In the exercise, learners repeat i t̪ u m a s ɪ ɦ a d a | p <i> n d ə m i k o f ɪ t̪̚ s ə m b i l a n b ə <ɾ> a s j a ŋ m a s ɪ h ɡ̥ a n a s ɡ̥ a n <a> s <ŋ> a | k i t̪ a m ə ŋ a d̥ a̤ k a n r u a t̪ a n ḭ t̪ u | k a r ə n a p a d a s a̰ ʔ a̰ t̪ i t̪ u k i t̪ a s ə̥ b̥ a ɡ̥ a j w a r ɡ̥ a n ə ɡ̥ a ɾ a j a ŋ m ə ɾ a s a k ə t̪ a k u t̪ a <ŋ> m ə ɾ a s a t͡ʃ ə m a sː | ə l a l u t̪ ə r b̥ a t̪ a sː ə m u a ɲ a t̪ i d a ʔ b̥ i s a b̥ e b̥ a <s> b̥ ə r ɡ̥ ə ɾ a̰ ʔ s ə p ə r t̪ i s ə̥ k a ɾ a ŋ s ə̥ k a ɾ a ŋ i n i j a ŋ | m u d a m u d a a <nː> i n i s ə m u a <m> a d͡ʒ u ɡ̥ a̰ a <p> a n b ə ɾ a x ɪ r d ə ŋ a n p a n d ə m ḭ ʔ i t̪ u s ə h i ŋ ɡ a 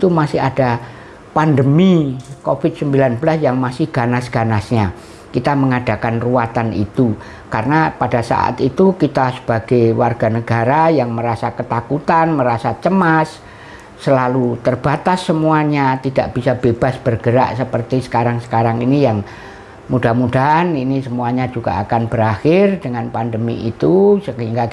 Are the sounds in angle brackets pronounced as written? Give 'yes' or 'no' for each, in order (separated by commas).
no, no, yes, no, no, yes, no, no, no